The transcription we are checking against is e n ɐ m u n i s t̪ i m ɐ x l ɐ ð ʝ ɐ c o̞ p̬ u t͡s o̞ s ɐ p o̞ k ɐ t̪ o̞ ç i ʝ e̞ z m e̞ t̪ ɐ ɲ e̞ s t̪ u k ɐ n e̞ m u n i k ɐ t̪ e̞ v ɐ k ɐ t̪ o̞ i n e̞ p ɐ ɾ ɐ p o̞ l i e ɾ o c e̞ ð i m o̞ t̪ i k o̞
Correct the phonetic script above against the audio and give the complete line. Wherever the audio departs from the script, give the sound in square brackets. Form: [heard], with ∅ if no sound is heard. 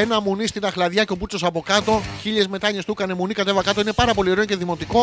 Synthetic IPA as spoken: e n ɐ m u n i s t̪ i [n] ɐ x l ɐ ð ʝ ɐ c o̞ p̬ u t͡s o̞ s ɐ p o̞ k ɐ t̪ o̞ ç i [ʎ] e̞ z m e̞ t̪ ɐ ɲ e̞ s t̪ u k ɐ n e̞ m u n i k ɐ t̪ e̞ v ɐ k ɐ t̪ o̞ i n e̞ p ɐ ɾ ɐ p o̞ l i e ɾ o c e̞ ð i m o̞ t̪ i k o̞